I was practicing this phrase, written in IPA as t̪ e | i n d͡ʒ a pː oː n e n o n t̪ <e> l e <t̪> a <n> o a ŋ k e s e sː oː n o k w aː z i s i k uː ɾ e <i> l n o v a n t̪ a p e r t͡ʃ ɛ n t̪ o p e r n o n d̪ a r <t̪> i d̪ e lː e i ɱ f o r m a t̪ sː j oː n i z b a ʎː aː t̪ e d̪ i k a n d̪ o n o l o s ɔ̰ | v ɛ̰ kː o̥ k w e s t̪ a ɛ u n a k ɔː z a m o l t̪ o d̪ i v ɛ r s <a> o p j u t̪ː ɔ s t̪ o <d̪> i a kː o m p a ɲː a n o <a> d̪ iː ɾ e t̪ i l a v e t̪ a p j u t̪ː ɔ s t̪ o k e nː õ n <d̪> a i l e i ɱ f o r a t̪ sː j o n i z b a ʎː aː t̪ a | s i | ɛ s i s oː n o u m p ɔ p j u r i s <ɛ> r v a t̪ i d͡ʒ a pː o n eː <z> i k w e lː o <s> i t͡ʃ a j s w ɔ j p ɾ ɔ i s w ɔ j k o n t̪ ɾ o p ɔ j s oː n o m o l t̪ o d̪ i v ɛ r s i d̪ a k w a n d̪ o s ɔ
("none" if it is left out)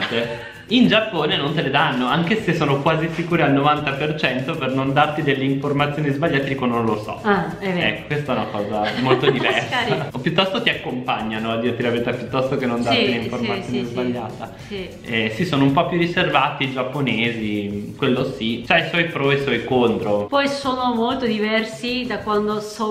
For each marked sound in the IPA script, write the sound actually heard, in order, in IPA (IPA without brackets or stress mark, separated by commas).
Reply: e, d̪, nː, a, t̪, a, t̪, a, d̪, e, z, s